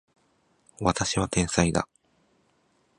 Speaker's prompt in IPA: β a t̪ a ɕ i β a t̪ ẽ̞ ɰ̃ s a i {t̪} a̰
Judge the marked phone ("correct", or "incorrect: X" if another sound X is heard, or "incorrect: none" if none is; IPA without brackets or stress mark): incorrect: d̪